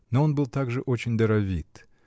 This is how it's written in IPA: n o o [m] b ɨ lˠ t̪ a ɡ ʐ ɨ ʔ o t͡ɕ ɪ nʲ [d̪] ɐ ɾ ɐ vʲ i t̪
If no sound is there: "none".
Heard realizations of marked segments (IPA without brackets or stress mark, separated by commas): n, d̪